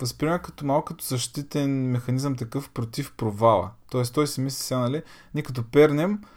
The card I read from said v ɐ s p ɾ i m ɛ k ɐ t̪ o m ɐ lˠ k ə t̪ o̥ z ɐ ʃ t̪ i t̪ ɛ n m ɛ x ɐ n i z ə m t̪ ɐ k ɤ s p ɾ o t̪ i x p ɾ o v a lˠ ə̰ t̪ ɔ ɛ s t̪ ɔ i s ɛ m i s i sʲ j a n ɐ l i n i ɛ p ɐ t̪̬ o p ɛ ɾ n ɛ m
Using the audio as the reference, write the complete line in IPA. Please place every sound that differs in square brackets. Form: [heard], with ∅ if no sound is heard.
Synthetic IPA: v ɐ s p ɾ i m ɛ k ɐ t̪ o m [a] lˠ k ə t̪ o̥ z ɐ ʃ t̪ i t̪ ɛ n m ɛ x ɐ n i z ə m t̪ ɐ k ɤ [f] p ɾ o t̪ i [f] p ɾ o v a lˠ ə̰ t̪ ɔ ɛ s t̪ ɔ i s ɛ m i s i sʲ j a n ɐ l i n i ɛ [k] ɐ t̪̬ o p ɛ ɾ n ɛ m